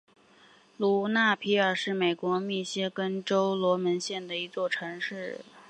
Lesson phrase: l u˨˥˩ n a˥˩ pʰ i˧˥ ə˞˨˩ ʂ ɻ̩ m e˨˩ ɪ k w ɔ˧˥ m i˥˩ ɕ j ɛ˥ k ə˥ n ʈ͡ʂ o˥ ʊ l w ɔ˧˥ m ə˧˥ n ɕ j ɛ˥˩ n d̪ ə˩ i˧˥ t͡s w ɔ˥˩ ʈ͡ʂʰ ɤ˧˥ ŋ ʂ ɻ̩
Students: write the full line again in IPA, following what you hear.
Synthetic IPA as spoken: l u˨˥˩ n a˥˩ pʰ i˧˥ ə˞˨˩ ʂ ɻ̩ m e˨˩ ɪ k w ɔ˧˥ m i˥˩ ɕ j ɛ˥ k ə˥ n ʈ͡ʂ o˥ ʊ l w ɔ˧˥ m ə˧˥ n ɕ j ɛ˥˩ n d̪ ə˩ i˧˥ t͡s w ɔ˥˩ ʈ͡ʂʰ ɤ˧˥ ŋ ʂ ɻ̩